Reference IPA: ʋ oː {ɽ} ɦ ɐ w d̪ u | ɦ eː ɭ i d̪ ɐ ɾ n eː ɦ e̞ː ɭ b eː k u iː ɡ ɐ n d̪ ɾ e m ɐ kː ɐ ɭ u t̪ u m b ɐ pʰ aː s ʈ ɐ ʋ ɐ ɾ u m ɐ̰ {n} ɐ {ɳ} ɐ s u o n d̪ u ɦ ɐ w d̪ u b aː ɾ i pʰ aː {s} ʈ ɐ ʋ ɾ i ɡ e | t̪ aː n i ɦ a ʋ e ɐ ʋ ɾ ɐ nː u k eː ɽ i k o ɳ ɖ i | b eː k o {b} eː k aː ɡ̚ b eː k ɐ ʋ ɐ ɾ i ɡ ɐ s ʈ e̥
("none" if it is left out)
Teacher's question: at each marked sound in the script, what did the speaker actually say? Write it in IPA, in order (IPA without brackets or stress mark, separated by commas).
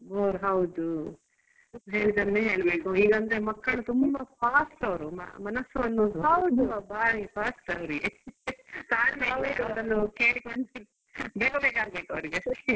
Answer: ɾ, m, n, s, b